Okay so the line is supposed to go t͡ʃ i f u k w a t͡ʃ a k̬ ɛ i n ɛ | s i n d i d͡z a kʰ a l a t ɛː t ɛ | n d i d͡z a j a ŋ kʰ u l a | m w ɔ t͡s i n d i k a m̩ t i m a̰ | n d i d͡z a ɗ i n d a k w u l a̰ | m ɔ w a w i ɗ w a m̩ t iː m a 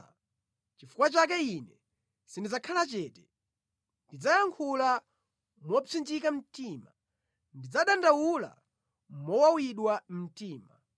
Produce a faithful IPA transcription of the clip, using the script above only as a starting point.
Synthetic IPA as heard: t͡ʃ i f u k w a t͡ʃ a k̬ ɛ i n ɛ | s i n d i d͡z a kʰ a l a t͡ʃ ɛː t ɛ | n d i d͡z a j a ŋ kʰ u l a | m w ɔ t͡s i n d͡ʒ i k a m̩ t i m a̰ | n d i d͡z a ɗ a n d a w u l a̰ | m ɔ w a w i ɗ w a m̩ t iː m a